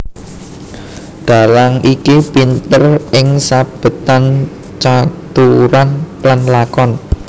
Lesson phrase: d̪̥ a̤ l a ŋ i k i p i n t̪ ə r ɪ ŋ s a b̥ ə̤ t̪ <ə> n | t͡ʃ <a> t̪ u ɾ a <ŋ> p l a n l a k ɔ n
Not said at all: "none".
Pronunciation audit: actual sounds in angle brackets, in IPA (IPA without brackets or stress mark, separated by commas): a, a, n